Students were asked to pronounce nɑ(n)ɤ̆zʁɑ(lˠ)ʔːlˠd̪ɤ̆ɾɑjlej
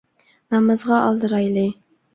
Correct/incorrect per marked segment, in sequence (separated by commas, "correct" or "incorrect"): incorrect, incorrect